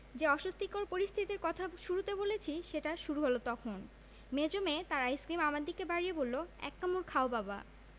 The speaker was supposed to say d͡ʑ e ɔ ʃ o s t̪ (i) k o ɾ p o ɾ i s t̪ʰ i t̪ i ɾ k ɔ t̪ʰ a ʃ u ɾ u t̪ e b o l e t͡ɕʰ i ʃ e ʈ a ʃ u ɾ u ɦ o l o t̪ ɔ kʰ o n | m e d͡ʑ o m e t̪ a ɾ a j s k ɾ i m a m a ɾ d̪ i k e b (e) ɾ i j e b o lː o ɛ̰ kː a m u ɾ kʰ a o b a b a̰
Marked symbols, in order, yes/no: yes, no

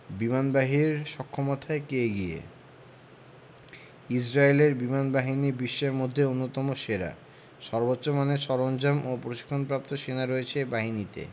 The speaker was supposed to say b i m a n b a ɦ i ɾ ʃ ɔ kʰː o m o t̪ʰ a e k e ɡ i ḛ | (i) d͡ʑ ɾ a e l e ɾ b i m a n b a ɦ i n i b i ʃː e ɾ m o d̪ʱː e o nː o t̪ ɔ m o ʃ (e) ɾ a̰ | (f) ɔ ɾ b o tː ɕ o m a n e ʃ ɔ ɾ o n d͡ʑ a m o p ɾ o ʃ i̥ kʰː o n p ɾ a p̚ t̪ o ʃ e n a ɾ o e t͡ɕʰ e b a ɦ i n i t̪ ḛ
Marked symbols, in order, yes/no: yes, yes, no

